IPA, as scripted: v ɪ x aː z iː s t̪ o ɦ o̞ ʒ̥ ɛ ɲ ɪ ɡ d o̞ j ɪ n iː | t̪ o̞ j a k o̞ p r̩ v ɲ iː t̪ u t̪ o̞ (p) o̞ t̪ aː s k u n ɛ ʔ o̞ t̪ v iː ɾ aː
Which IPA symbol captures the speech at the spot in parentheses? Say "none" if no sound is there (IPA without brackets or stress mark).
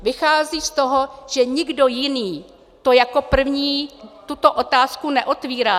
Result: ʔ